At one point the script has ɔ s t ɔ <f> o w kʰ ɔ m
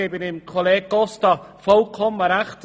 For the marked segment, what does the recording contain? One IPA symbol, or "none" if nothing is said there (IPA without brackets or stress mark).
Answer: f